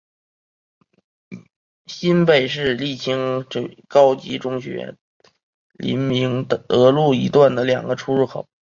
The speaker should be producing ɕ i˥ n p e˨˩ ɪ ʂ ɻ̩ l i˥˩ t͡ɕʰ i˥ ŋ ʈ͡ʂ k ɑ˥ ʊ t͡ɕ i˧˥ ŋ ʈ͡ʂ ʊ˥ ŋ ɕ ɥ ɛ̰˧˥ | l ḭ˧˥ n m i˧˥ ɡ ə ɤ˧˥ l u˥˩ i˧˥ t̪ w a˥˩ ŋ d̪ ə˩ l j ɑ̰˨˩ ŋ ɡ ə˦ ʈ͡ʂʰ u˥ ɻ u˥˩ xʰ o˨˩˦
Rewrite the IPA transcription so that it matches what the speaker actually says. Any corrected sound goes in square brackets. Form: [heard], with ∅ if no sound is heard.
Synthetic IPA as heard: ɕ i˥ n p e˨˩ ɪ ʂ ɻ̩ l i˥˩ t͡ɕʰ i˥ ŋ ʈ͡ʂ k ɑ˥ ʊ t͡ɕ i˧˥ [∅] ʈ͡ʂ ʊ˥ ŋ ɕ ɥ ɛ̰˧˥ | l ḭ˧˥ n m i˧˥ [ŋ] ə ɤ˧˥ l u˥˩ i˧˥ t̪ w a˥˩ [n] d̪ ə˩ l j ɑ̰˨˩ ŋ ɡ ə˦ ʈ͡ʂʰ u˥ ɻ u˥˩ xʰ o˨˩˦